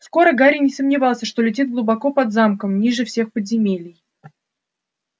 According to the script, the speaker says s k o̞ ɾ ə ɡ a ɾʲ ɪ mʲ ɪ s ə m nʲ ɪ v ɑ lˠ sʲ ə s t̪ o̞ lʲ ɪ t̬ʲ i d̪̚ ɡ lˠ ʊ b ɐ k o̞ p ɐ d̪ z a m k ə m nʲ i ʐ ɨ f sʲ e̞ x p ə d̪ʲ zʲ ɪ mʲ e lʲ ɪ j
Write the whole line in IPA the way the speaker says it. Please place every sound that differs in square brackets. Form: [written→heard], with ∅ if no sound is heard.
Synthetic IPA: s k o̞ ɾ ə ɡ a ɾʲ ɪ [mʲ→nʲ] ɪ s ə m nʲ ɪ v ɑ lˠ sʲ ə [s→ʂ] t̪ o̞ lʲ ɪ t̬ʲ i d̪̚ ɡ lˠ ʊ b ɐ k o̞ p ɐ d̪ z a m k ə m nʲ i ʐ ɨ f sʲ e̞ x p ə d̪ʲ zʲ ɪ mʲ e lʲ ɪ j